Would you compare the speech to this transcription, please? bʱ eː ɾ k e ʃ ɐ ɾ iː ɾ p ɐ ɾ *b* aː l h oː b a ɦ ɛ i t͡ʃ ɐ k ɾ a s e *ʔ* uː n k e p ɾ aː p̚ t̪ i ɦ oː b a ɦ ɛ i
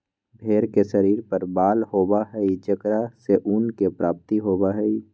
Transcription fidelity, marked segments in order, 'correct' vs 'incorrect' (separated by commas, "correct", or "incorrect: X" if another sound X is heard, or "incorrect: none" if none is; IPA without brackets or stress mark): correct, correct